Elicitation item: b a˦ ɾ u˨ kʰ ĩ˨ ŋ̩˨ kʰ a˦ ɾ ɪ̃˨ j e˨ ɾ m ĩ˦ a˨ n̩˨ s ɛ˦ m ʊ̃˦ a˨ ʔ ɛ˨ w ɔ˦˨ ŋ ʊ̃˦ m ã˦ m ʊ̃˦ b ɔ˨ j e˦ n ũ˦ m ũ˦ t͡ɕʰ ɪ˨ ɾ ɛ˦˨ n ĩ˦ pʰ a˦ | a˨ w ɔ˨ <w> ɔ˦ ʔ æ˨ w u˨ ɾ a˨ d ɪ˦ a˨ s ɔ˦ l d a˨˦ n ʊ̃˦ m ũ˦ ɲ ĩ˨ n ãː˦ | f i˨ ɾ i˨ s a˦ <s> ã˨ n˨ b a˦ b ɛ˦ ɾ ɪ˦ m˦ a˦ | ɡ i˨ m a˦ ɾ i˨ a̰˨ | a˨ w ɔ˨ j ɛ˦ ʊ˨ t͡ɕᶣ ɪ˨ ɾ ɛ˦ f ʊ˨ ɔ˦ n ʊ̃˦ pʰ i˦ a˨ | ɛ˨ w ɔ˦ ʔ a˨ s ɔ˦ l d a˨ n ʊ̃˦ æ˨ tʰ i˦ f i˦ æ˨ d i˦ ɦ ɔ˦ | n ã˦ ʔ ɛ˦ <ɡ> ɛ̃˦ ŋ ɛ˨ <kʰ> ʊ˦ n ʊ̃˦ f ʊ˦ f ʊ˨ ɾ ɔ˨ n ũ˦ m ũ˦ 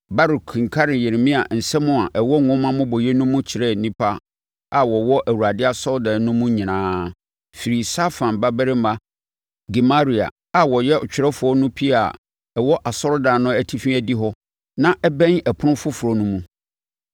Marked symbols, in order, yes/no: yes, no, no, no

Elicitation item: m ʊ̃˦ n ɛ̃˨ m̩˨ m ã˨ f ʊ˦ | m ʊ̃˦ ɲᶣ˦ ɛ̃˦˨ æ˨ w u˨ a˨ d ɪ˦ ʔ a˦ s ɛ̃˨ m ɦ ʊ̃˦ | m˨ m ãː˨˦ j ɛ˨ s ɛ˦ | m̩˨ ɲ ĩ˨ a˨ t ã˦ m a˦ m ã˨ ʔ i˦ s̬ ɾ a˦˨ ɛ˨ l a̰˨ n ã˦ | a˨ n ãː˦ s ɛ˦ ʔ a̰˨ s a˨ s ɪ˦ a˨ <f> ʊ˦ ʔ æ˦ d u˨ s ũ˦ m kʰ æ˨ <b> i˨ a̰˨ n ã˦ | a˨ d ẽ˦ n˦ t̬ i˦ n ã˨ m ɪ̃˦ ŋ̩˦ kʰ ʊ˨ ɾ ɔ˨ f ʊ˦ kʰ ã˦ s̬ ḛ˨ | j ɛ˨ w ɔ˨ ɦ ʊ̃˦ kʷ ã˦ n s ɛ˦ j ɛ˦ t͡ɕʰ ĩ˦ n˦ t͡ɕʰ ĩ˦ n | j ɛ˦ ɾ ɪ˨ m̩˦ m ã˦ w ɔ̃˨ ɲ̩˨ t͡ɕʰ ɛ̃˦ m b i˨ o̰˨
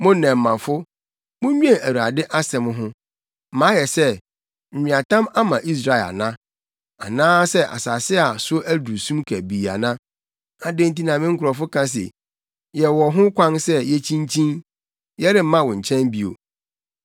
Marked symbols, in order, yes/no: no, yes

